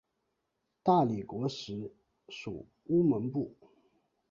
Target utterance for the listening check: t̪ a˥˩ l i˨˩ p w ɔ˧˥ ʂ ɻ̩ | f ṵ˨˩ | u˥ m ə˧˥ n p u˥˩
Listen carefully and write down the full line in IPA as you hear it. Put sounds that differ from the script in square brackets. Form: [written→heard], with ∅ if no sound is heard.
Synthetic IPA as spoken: t̪ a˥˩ l i˨˩ [p→k] w ɔ˧˥ ʂ ɻ̩ | [f→ʂ] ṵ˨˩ | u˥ m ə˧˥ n p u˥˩